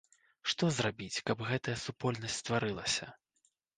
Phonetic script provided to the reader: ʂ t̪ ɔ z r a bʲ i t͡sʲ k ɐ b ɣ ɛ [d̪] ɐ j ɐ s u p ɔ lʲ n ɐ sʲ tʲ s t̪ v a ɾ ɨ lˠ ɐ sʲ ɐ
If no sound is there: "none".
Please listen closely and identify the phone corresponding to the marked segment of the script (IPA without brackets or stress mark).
t̪